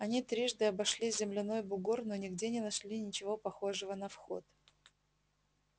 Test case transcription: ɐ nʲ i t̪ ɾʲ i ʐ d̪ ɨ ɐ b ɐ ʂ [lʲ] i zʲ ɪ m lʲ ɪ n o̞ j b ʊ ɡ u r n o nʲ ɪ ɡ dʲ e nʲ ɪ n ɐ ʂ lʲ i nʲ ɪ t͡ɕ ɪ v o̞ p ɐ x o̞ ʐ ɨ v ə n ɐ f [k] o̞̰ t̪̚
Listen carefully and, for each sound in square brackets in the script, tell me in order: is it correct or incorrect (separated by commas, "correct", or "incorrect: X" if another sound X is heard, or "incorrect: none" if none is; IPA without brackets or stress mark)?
correct, incorrect: x